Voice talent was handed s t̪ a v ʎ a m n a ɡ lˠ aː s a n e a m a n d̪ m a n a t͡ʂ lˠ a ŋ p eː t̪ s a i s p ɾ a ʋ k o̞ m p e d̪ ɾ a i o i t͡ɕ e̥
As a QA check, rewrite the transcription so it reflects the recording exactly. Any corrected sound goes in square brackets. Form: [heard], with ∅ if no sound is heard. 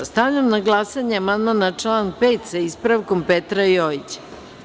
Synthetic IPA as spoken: s t̪ a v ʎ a m n a ɡ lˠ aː s a [ɲ] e a m a n d̪ m a n a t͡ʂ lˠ a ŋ p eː t̪ s a i s p ɾ a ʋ k o̞ m p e [t̪] ɾ a [j] o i t͡ɕ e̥